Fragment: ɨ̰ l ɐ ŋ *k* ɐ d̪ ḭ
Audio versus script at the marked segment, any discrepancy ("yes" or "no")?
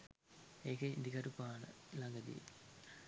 yes